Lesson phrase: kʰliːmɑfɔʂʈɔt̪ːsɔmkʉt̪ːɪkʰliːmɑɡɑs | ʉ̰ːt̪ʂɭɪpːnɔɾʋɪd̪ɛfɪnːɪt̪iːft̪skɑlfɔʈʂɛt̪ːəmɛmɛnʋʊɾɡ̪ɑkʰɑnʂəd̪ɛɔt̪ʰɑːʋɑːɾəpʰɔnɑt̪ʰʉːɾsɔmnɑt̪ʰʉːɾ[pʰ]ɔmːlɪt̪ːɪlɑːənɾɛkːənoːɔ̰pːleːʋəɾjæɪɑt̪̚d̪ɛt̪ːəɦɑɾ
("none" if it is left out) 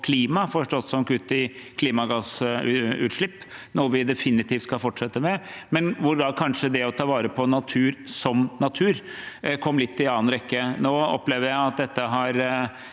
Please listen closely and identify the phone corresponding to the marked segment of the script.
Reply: kʰ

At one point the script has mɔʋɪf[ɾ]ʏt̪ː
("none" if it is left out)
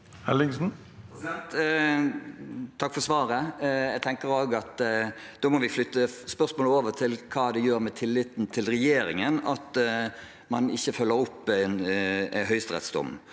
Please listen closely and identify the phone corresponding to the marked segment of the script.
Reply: l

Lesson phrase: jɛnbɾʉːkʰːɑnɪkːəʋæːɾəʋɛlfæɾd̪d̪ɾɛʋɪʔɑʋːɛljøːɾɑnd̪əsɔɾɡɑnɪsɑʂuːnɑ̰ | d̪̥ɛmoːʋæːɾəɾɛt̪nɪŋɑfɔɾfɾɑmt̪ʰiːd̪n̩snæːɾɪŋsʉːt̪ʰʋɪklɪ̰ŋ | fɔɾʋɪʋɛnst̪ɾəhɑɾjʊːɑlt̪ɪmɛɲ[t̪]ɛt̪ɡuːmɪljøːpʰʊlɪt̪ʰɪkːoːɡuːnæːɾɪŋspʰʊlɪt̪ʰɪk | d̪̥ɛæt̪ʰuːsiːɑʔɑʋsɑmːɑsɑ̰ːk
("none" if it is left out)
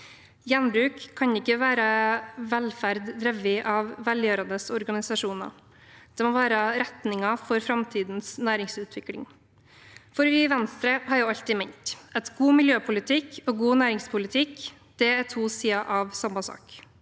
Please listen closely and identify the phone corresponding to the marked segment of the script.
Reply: t̪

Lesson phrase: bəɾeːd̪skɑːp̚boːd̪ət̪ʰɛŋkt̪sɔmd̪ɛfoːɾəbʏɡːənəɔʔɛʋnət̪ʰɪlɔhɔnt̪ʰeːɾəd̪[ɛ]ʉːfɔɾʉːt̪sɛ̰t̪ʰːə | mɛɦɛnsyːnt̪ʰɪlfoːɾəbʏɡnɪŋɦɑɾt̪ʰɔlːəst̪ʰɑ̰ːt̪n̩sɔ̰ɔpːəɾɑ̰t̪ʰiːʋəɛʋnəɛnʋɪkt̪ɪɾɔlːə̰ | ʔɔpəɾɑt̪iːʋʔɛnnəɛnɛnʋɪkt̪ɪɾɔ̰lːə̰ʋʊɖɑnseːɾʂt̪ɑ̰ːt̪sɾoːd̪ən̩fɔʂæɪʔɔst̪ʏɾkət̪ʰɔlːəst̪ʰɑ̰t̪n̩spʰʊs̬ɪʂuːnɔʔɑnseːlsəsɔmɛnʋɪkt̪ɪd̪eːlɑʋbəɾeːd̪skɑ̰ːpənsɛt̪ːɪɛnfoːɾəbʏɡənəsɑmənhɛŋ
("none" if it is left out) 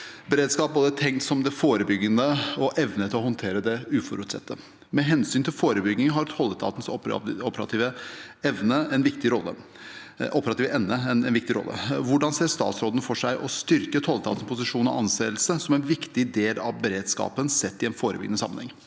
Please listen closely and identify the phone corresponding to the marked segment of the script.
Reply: ɛ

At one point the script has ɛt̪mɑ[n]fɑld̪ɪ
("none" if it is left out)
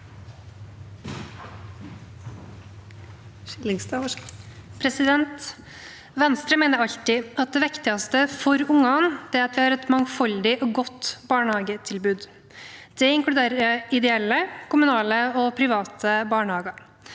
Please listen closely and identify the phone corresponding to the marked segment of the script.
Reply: ŋ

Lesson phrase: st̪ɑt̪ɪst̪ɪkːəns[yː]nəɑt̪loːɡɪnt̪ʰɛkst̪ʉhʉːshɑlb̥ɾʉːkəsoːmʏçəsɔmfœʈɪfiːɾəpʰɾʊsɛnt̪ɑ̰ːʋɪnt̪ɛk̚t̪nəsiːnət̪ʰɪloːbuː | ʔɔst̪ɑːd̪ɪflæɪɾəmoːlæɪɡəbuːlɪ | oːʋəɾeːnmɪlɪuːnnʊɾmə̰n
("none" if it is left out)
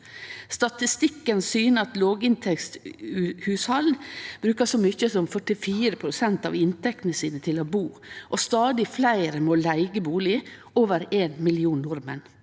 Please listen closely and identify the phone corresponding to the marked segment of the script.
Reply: yː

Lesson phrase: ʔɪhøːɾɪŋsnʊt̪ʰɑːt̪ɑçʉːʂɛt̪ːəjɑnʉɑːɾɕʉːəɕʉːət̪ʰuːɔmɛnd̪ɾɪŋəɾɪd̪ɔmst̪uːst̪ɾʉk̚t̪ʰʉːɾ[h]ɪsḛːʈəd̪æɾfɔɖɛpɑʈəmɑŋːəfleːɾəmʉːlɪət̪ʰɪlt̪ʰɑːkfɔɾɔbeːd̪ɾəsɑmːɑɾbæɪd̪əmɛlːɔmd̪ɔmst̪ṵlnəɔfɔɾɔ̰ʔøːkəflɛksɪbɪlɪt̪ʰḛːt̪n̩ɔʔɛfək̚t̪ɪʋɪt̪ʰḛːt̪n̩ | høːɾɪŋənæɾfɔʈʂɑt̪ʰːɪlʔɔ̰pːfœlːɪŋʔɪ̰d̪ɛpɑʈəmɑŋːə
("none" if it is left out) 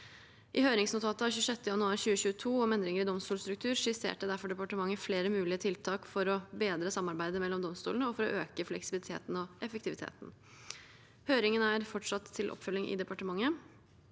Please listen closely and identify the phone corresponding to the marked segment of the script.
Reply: ʂ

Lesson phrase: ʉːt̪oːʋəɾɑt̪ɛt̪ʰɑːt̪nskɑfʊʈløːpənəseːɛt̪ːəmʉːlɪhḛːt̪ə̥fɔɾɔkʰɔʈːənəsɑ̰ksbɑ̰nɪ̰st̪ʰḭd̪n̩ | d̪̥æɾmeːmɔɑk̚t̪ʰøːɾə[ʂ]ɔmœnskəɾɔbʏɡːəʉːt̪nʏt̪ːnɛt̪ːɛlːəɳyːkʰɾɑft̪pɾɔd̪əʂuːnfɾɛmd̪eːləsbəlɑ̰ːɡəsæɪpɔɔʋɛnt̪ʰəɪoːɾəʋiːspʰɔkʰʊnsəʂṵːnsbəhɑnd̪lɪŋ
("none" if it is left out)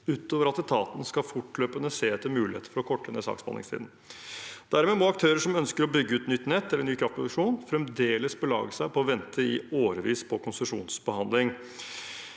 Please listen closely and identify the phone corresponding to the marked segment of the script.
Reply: ʂ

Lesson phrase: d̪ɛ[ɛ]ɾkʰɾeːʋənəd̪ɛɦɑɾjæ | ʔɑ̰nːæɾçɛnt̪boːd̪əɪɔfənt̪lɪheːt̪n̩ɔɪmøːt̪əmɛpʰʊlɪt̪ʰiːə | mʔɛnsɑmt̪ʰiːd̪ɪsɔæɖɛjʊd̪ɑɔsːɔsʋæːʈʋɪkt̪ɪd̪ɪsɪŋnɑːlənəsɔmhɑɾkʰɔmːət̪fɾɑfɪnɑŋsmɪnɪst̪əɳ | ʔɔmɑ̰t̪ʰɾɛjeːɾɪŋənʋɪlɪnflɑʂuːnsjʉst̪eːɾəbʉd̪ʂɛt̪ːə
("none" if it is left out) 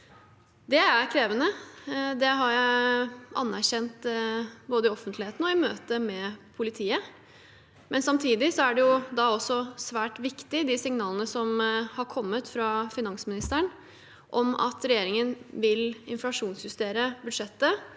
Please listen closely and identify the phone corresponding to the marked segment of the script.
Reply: æ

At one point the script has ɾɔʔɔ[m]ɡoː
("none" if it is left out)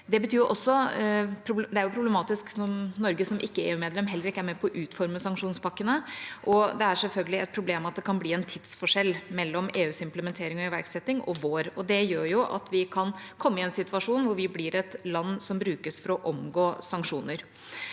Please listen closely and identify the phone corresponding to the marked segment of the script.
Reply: m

